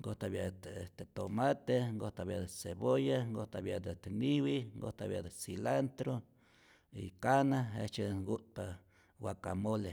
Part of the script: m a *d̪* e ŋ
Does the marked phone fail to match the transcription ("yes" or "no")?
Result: yes